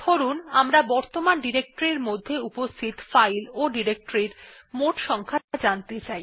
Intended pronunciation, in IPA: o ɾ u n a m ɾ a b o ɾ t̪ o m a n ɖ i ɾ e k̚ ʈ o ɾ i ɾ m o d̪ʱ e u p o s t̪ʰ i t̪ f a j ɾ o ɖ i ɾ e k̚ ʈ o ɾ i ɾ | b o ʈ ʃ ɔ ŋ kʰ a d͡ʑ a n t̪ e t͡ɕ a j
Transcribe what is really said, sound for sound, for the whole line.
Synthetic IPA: o ɾ u n a m ɾ a b ɔ ɾ t̪ o m a n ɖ i ɾ e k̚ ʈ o ɾ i ɾ m o d̪ʱː e u p o s t̪ʰ i t̪ f a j l o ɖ i ɾ e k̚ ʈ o ɾ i ɾ | m o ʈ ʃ ɔ ŋ kʰ a d͡ʑ a n t̪ e t͡ɕ a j

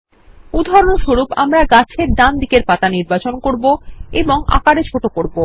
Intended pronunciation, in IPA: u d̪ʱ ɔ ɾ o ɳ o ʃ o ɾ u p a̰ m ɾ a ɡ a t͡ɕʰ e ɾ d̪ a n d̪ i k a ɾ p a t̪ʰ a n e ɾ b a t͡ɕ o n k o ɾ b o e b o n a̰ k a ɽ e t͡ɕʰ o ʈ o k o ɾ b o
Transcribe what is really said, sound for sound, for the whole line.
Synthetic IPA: u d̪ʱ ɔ ɾ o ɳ o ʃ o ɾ u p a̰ m ɾ a ɡ a t͡ɕʰ e ɾ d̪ a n d̪ i k e ɾ p a t̪ a n i ɾ b a t͡ɕ o n k o ɾ b o e b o ŋ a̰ k a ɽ e t͡ɕʰ o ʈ o k o ɾ b o

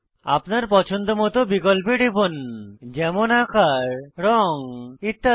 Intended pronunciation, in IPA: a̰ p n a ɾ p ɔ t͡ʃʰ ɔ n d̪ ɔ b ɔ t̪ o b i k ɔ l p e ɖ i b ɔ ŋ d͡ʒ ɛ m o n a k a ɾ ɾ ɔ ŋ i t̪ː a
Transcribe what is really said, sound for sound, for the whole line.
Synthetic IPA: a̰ p n a ɾ p ɔ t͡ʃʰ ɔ n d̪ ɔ m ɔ t̪ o b i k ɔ l p e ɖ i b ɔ n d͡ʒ ɛ m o n a k a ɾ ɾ ɔ ŋ i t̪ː a

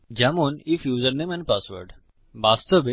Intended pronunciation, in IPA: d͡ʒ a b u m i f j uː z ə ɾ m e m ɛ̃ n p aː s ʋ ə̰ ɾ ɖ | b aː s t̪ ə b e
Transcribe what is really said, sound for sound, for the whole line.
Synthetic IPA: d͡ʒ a m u n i f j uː z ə ɾ n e m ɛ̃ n p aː s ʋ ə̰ ɾ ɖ | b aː s t̪ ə b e

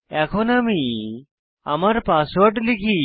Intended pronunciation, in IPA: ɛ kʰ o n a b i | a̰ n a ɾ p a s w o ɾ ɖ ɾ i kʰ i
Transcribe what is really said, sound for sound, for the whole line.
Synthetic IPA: ɛ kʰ o n a m i | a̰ m a ɾ p a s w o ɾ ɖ l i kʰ i

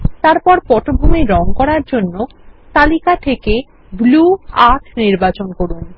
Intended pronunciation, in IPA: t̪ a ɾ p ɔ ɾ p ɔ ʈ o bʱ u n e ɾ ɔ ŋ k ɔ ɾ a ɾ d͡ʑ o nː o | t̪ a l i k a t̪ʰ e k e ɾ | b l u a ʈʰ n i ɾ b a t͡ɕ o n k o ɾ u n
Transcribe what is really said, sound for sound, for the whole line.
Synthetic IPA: t̪ a ɾ p ɔ ɾ p ɔ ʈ o bʱ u m e ɾ ɔ ŋ k ɔ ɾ a ɾ d͡ʑ o nː o | t̪ a l i k a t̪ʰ e k e | b l u a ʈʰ n i ɾ b a t͡ɕ o n k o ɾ u n

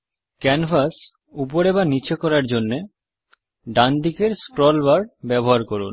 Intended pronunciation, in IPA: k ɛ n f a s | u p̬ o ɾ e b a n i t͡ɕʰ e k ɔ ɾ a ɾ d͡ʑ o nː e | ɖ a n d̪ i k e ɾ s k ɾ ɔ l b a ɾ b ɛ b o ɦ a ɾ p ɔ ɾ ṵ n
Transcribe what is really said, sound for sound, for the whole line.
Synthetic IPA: k ɛ n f a s | u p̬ o ɾ e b a n i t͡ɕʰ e k ɔ ɾ a ɾ d͡ʑ o nː e | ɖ a n d̪ i k e ɾ s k ɾ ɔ l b a ɾ b ɛ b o ɦ a ɾ k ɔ ɾ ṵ n

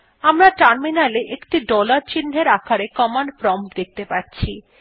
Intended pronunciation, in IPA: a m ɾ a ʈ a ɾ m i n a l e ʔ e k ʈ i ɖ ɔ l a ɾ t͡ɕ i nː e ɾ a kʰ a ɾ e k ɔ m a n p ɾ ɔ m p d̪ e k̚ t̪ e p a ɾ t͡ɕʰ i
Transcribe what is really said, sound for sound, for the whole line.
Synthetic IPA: a m ɾ a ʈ a ɾ m i n a l e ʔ e k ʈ i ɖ ɔ l a ɾ t͡ɕ i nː e ɾ a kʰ a ɾ e k ɔ m a n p ɾ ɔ m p d̪ e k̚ t̪ e p a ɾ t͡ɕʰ i

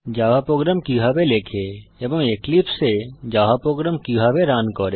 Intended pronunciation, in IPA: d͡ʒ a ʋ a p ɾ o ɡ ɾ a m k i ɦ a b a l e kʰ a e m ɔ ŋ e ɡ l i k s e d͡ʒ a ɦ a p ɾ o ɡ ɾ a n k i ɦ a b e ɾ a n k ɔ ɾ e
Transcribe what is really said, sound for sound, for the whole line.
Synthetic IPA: d͡ʒ a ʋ a p ɾ o ɡ ɾ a m k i ɦ a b e l e kʰ e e b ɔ ŋ e k l i p s e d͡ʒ a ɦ a p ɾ o ɡ ɾ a m k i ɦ a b e ɾ a n k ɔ ɾ e

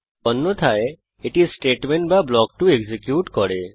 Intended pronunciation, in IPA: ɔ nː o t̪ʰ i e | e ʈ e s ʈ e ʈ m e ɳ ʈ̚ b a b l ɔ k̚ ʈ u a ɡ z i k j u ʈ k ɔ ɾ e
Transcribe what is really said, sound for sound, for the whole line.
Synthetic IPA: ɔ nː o t̪ʰ a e | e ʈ i s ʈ e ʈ m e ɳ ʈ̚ b a b l ɔ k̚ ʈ u e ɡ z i k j u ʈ k ɔ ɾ e

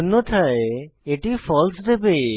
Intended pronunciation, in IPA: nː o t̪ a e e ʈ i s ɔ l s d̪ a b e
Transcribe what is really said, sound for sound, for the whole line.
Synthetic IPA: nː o t̪ʰ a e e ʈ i f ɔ l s d̪ e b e

